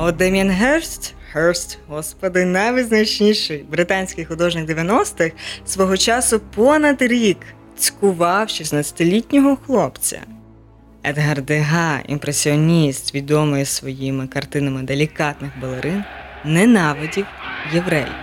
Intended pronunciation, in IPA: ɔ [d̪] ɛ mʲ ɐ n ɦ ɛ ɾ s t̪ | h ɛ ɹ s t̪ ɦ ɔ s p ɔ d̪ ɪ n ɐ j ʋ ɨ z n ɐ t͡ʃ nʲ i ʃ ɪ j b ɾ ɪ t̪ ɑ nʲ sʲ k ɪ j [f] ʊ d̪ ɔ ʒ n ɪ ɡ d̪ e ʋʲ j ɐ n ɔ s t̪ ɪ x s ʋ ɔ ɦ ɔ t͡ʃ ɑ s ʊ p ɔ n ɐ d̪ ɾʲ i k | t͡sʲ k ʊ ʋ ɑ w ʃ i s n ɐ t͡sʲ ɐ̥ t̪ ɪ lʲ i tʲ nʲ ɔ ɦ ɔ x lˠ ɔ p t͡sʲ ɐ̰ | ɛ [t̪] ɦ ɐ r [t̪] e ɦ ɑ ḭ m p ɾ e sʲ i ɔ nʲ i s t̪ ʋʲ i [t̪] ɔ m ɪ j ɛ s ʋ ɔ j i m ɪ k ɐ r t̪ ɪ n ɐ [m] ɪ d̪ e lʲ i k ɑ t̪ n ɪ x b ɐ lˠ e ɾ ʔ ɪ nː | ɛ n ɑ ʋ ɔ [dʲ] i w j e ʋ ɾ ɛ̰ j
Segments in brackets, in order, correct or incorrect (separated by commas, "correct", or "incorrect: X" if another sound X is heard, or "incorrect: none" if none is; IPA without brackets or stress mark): correct, incorrect: x, incorrect: d̪, incorrect: d̪, incorrect: d̪, correct, correct